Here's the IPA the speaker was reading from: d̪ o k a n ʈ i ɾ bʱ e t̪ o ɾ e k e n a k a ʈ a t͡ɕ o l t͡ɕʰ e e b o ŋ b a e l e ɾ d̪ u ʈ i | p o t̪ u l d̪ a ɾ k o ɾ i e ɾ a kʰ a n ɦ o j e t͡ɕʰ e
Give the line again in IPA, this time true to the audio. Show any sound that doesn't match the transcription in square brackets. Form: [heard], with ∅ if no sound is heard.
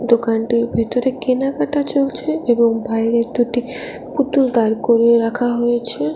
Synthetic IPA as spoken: d̪ o k a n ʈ i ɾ bʱ e t̪ o ɾ e k e n a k a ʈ a t͡ɕ o l t͡ɕʰ e e b o ŋ b a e [ɾ] e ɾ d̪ u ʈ i | p [u] t̪ u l d̪ a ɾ k o ɾ i e ɾ a kʰ a [∅] ɦ o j e t͡ɕʰ e